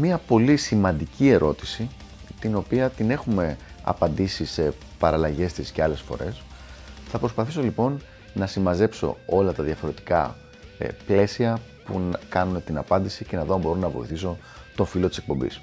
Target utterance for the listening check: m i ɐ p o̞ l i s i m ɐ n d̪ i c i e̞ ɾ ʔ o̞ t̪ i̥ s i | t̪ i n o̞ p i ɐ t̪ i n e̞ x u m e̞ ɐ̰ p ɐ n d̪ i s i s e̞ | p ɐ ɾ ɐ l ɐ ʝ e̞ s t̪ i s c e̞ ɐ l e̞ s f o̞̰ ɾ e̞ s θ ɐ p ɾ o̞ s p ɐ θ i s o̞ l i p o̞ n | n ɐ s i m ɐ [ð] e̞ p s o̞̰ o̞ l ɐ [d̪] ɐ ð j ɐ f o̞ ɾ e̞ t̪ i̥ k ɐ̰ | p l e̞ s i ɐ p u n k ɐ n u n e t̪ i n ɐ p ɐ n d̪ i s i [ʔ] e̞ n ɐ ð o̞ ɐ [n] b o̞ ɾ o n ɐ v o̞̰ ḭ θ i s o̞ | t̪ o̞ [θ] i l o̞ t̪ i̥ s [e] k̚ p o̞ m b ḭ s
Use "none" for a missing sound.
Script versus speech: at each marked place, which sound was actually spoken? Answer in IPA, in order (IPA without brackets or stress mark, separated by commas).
z, t̪, c, m, f, e